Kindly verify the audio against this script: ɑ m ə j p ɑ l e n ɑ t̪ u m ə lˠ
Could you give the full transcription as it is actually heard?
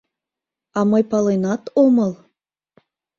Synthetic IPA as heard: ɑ m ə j p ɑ l e n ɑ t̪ o m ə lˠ